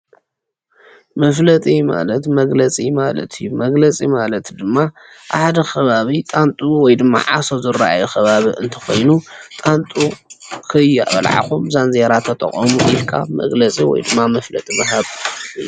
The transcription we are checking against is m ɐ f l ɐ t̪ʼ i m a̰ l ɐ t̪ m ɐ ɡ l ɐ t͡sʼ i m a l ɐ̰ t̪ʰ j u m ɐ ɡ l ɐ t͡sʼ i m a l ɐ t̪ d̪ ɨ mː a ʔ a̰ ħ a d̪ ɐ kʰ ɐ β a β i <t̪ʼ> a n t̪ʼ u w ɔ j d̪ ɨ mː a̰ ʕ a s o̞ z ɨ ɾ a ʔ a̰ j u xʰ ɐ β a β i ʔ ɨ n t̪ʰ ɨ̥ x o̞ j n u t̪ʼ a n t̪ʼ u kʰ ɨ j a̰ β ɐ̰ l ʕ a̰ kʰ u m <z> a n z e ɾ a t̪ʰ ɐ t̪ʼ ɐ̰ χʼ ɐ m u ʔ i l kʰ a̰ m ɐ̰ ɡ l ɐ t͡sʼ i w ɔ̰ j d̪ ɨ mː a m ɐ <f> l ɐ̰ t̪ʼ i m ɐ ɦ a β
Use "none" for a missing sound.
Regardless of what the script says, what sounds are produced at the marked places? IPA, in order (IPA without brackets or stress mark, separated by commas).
t̪ʼ, z, f